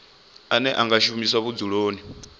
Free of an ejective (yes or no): yes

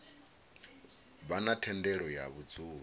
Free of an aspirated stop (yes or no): no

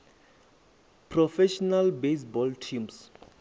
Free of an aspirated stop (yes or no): no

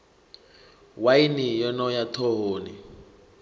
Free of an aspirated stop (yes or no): no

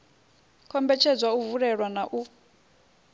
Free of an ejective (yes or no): yes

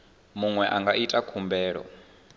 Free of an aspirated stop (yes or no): no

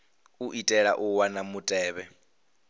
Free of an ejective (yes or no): no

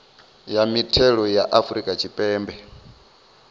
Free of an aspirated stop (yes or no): no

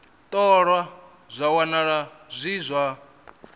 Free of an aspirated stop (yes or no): yes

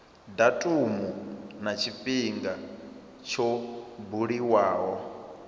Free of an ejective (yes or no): no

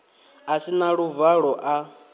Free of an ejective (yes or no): yes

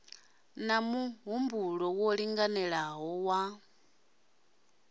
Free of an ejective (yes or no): yes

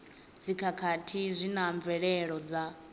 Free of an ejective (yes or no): yes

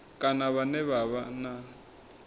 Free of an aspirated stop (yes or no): yes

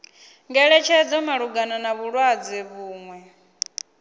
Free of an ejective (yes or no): yes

